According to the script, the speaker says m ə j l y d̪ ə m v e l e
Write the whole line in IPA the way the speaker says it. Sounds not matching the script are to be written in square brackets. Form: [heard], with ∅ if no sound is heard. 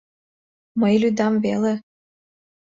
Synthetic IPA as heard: m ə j l y d̪ [ɑ] m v e l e